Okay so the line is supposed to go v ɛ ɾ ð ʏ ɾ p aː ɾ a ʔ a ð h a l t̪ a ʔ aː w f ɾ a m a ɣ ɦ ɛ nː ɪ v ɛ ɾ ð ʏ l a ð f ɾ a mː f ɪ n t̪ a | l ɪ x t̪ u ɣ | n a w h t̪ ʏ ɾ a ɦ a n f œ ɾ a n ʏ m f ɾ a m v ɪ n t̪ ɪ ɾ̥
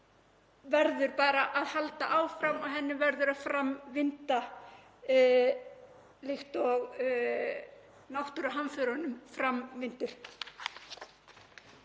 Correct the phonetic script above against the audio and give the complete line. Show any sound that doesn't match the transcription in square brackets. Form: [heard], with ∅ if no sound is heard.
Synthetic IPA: v ɛ ɾ ð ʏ ɾ p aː ɾ a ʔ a ð h a l t̪ a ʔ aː w f ɾ a m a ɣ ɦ ɛ nː ɪ v ɛ ɾ ð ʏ [ɾ] a ð f ɾ a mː [v] ɪ n t̪ a | l ɪ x t̪ [ɔ] ɣ | n a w h t̪ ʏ ɾ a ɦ a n f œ ɾ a n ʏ m f ɾ a m v ɪ n t̪ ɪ ɾ̥